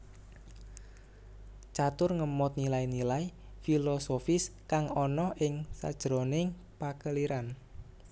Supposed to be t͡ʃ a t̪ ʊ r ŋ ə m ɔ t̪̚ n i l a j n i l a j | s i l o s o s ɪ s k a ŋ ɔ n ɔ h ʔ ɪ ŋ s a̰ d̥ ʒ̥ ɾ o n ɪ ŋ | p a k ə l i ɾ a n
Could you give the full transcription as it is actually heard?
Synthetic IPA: t͡ʃ a t̪ ʊ r ŋ ə m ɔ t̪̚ n i l a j n i l a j | f i l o s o f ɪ s k a ŋ ɔ n ɔ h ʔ ɪ ŋ s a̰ d̥ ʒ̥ ɾ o n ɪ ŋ | p a k ə l i ɾ a n

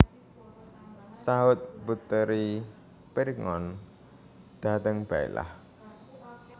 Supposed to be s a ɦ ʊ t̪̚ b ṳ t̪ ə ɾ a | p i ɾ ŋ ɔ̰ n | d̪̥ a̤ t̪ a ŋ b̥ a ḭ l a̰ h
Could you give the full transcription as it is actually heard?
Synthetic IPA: s a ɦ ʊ t̪̚ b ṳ t̪ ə ɾ i | p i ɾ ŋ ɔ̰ n | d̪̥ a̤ t̪ ə ŋ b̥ a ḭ l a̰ h

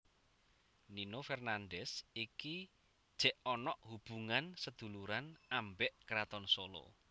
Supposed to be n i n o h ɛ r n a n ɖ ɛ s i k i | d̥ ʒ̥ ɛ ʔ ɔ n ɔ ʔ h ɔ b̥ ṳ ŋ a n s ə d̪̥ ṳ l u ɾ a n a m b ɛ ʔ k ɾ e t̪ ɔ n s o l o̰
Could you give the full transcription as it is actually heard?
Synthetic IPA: n i n o f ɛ r n a n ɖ ɛ s i k i | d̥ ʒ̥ ɛ ʔ ɔ n ɔ ʔ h u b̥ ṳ ŋ a n s ə d̪̥ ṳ l u ɾ a n a m b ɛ ʔ k ɾ a t̪ ɔ n s o l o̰

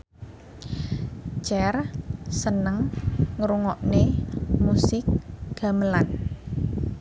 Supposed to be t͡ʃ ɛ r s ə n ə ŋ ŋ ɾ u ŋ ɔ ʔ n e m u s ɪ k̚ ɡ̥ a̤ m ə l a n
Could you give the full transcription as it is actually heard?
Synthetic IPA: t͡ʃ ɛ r s ə n ə ŋ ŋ ɾ u ŋ ɔ ʔ n e m u s ɪ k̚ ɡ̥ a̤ m ə l a n

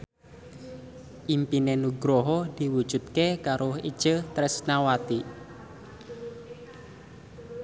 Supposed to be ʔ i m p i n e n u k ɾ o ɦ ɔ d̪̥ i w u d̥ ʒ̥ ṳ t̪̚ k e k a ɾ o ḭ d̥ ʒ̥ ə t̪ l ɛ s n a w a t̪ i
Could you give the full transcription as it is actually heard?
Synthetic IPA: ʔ i m p i n e n u ɡ ɾ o ɦ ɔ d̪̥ i w u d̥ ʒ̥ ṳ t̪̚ k e k a ɾ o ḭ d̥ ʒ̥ ə t̪ ɾ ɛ s n a w a t̪ i

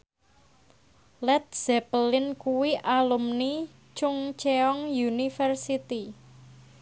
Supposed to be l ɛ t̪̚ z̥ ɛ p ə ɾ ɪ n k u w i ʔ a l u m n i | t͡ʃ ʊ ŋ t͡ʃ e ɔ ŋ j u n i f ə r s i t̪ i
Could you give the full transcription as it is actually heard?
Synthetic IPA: l ɛ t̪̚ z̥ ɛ p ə l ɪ n k u w i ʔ a l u m n i | t͡ʃ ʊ ŋ t͡ʃ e ɔ ŋ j u n i f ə r s i t̪ i

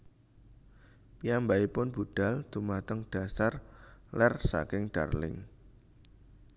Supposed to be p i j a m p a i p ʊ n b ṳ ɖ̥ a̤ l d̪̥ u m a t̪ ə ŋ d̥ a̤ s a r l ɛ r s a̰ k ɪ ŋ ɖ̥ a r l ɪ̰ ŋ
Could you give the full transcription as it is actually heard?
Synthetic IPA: p i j a m b a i p ʊ n b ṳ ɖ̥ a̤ l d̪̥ u m a t̪ ə ŋ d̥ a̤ s a r l ɛ r s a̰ k ɪ ŋ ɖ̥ a r l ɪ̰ ŋ

